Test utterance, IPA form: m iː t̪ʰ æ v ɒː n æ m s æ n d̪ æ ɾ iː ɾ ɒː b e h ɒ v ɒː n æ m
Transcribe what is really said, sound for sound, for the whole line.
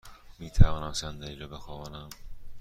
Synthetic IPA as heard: m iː t̪ʰ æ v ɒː n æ m s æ n d̪ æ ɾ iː ɾ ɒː b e x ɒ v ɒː n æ m